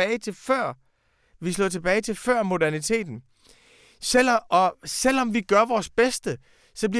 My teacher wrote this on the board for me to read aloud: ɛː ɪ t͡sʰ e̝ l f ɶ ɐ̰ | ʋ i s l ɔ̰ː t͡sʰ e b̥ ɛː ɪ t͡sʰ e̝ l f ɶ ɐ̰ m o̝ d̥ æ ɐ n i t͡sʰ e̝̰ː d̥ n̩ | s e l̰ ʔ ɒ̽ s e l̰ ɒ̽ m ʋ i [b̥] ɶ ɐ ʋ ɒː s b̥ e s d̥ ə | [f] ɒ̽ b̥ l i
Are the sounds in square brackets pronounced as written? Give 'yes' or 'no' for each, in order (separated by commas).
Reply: no, no